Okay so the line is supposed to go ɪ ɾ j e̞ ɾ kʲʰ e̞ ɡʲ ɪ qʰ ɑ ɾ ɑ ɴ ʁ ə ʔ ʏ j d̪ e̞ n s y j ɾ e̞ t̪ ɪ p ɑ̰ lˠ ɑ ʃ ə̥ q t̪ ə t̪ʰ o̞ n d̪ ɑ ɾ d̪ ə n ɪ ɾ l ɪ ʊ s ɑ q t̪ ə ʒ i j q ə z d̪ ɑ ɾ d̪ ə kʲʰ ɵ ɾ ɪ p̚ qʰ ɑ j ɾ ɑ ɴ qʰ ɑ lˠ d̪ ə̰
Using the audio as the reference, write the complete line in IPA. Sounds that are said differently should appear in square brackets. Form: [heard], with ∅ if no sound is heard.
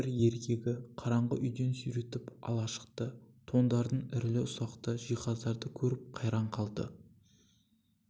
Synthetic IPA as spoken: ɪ ɾ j e̞ ɾ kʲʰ e̞ ɡʲ ɪ qʰ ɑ ɾ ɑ ɴ ʁ ə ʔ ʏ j d̪ e̞ n s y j ɾ e̞ t̪ ɪ p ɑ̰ lˠ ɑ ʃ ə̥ q t̪ ə t̪ʰ o̞ n d̪ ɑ ɾ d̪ ə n ɪ ɾ l ɪ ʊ s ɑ q t̪ ə ʒ i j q [ɑ] z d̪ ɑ ɾ d̪ ə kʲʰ ɵ ɾ ɪ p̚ qʰ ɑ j ɾ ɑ ɴ qʰ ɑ lˠ d̪ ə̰